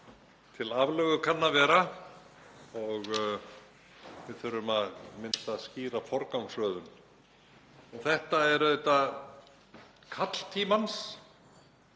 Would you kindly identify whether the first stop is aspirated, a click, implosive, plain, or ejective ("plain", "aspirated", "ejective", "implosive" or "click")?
aspirated